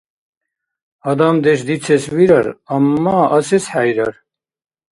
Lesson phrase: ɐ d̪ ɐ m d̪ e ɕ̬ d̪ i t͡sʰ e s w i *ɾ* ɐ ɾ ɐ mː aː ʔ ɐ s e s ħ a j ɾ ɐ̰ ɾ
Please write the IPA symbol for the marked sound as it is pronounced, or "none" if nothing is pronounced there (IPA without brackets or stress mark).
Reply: ɾ